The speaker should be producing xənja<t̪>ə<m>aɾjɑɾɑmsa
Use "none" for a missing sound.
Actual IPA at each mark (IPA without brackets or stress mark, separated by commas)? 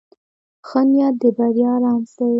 d̪, b